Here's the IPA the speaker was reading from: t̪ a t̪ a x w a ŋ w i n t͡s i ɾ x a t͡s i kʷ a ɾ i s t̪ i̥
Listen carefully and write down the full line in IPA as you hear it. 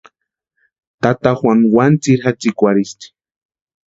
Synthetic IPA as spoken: t̪ a t̪ a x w a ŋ w a n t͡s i ɾ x a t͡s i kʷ a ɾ i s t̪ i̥